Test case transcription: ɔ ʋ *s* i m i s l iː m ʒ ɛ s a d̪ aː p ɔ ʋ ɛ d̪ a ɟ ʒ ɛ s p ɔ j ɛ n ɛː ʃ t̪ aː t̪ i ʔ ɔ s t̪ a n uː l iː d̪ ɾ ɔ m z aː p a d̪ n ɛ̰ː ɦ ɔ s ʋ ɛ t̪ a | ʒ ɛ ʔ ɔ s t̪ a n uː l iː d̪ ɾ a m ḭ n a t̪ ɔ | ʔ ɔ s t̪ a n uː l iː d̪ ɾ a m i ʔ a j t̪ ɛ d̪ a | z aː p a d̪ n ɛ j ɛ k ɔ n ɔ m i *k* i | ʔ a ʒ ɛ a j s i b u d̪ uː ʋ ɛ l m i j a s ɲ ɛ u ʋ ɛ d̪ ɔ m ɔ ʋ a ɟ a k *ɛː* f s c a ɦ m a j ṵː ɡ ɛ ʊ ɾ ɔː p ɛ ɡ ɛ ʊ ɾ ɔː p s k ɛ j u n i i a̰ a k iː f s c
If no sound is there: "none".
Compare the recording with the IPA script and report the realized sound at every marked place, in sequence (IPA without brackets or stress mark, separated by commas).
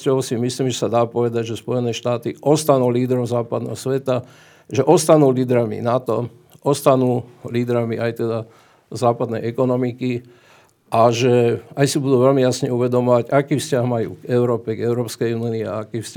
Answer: s, k, iː